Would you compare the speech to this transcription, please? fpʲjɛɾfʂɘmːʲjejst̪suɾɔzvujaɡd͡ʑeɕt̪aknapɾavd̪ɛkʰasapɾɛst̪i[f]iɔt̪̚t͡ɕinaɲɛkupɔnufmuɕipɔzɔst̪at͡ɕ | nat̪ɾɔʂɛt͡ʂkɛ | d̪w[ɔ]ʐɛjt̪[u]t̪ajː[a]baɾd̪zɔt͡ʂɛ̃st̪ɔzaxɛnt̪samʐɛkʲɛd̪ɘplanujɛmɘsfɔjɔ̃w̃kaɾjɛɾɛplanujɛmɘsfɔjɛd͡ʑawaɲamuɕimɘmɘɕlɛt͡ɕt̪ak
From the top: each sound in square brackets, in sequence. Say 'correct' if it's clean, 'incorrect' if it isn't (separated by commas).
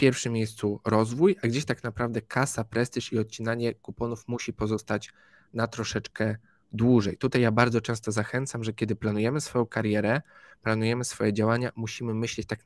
incorrect, incorrect, correct, correct